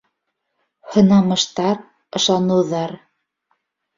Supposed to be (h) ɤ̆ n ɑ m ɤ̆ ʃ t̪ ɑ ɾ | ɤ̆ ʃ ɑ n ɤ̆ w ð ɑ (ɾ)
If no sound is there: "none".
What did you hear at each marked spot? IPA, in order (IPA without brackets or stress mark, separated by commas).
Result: h, ɾ